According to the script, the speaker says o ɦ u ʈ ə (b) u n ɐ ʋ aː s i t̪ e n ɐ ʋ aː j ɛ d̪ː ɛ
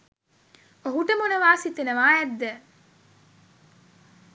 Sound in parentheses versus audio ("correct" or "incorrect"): incorrect